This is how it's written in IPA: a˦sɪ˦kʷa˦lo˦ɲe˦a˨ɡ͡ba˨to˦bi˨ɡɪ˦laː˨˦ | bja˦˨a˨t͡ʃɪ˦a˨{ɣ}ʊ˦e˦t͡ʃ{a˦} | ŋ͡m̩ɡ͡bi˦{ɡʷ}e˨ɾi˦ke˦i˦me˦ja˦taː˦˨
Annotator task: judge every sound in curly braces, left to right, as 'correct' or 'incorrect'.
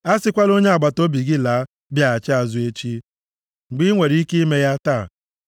incorrect: z, incorrect: i˦, incorrect: ŋʷ

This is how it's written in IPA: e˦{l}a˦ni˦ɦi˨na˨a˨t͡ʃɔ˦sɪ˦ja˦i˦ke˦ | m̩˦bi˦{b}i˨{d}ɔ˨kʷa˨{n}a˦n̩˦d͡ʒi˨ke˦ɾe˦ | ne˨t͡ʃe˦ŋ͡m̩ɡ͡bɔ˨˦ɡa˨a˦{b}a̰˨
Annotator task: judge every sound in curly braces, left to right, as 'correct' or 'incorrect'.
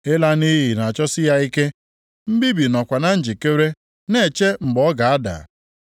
correct, correct, incorrect: n, correct, incorrect: d

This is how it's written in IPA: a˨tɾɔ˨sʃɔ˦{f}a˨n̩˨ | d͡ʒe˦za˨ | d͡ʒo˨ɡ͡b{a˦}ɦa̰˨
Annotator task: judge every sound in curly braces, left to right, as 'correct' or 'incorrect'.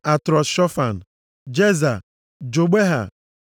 correct, incorrect: e˦

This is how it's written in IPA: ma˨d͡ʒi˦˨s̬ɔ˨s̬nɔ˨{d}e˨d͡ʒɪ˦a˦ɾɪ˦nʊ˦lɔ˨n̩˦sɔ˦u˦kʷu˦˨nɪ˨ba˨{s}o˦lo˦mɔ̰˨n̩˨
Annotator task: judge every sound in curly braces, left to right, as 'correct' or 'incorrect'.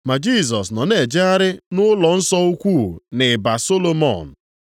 incorrect: n, correct

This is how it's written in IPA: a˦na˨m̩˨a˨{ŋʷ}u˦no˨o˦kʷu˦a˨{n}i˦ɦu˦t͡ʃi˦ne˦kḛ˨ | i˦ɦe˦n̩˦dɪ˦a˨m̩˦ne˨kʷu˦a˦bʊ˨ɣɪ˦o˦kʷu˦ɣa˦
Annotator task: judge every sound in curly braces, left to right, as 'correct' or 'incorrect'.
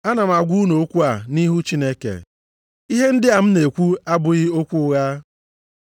incorrect: ɡʷ, correct

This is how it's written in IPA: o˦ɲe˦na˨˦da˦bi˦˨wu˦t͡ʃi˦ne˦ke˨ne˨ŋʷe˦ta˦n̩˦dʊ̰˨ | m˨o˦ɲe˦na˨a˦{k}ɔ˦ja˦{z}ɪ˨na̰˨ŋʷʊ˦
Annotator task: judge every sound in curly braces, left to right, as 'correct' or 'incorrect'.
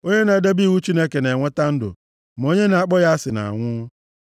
incorrect: k͡p, incorrect: s

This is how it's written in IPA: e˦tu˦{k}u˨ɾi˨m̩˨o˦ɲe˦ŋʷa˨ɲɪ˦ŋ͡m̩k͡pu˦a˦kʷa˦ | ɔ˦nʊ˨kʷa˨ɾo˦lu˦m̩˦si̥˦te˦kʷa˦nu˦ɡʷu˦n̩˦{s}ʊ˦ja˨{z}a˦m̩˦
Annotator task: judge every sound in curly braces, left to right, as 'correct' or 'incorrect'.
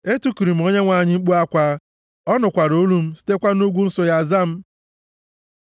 correct, correct, correct

